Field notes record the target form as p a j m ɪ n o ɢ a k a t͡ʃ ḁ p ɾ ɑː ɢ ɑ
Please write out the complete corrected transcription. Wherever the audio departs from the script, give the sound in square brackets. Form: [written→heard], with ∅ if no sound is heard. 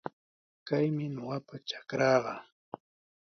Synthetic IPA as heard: [p→k] a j m ɪ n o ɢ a [k→p] a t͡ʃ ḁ [p→k] ɾ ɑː ɢ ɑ

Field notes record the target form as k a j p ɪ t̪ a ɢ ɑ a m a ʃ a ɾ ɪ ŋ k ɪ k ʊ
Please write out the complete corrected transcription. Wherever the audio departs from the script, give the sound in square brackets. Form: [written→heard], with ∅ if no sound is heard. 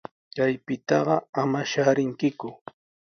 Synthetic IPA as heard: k a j p ɪ t̪ [a→ɑ] ɢ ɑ a m a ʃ a ɾ ɪ ŋ k ɪ k ʊ

